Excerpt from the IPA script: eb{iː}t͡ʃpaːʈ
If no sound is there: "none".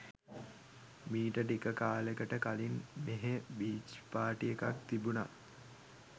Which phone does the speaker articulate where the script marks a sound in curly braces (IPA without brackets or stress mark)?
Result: iː